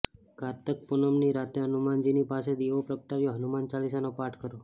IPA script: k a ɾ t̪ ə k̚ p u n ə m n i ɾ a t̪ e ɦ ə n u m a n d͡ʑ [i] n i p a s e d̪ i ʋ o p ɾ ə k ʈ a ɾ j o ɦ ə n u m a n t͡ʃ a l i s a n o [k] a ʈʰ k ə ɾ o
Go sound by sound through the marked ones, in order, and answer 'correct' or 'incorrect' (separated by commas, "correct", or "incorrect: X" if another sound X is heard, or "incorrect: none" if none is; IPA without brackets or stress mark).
correct, incorrect: p